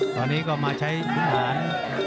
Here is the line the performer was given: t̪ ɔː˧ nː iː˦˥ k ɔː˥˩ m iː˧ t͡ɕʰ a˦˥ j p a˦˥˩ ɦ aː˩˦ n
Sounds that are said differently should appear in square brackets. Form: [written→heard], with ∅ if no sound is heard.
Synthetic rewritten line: t̪ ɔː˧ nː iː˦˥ k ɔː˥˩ m [iː˧→aː˧] t͡ɕʰ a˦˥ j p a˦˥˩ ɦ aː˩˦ n